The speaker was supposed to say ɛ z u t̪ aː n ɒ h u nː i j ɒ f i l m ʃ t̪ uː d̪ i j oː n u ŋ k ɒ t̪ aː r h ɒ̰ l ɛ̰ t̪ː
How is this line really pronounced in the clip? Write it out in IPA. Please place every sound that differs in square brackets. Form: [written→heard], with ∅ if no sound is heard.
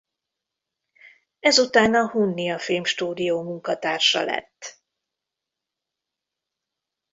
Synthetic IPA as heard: ɛ z u t̪ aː n ɒ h u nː i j ɒ f i l m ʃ t̪ uː d̪ i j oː [n→m] u ŋ k ɒ t̪ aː r [h→ʃ] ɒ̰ l ɛ̰ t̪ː